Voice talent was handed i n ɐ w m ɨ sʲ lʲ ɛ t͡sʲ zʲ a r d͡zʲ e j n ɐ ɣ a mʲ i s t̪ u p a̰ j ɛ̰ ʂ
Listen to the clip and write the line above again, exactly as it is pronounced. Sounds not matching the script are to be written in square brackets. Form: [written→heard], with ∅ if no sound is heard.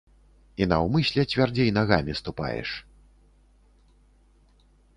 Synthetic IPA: i n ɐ w m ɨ sʲ lʲ ɛ t͡sʲ [zʲ→vʲ] a r d͡zʲ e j n [ɐ→a] ɣ a mʲ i s t̪ u p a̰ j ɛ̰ ʂ